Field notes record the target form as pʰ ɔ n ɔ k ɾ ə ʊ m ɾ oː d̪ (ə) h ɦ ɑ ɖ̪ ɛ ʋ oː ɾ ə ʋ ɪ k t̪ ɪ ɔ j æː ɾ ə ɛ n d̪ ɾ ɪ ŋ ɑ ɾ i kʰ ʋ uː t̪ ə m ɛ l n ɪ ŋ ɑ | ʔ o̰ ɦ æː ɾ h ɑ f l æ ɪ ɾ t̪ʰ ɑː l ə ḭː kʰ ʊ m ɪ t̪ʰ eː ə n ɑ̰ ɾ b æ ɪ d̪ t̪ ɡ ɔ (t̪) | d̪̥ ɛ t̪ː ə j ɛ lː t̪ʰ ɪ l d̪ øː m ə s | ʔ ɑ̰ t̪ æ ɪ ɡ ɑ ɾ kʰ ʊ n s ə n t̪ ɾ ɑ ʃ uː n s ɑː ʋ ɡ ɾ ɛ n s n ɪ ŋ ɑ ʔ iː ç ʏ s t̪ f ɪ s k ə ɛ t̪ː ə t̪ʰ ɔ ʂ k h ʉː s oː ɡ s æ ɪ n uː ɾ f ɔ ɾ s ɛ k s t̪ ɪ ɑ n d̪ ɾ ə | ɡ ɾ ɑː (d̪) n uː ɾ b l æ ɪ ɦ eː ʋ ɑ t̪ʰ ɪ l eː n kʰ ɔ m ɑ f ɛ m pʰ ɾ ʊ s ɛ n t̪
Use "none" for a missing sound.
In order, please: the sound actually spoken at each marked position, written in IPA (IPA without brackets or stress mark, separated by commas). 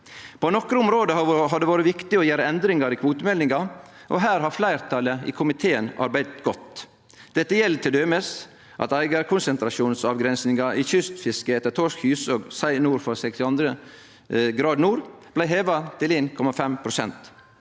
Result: ə, t̪, d̪